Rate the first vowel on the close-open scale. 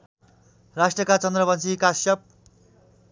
open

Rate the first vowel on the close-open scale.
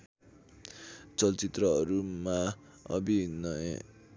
mid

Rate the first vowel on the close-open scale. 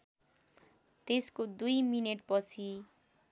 mid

